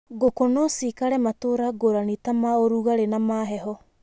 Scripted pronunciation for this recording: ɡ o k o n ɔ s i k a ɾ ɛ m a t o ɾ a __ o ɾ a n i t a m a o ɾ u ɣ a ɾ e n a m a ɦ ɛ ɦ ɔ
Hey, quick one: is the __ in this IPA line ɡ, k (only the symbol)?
ɡ